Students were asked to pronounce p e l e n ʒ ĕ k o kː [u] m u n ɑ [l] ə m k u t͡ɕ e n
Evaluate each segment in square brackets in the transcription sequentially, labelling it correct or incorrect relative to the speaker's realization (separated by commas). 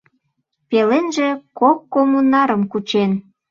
incorrect, incorrect